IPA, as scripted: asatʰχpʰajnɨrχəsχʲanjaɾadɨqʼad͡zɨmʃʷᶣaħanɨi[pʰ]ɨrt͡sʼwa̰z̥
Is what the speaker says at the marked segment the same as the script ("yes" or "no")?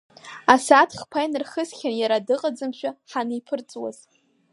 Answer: yes